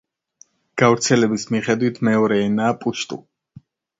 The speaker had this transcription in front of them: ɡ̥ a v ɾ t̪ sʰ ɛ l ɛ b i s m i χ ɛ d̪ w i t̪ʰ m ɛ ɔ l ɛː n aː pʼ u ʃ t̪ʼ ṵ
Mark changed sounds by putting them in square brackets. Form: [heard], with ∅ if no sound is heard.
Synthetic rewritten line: ɡ̥ a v ɾ t̪ sʰ ɛ l ɛ b i s m i χ ɛ d̪ w i t̪ʰ m ɛ ɔ [ɾ] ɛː n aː pʼ u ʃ t̪ʼ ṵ